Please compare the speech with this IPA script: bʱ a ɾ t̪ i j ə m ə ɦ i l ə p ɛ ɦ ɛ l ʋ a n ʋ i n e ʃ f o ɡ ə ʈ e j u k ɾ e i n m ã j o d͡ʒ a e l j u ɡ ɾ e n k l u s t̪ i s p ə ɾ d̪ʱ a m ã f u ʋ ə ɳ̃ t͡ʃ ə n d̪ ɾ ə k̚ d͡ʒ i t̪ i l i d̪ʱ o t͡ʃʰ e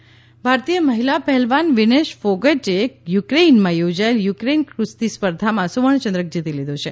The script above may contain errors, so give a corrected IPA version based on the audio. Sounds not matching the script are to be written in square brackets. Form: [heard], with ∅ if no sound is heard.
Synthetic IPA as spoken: bʱ a ɾ t̪ i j ə m ə ɦ i l [a] p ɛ ɦ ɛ l ʋ a n ʋ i n e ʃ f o ɡ ə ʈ e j u k ɾ e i n m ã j o d͡ʒ a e l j u [k] ɾ e n k [ɾ] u s t̪ i s p ə ɾ d̪ʱ a m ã [s] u ʋ ə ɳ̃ t͡ʃ ə n d̪ ɾ ə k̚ d͡ʒ i t̪ i l i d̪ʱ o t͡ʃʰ e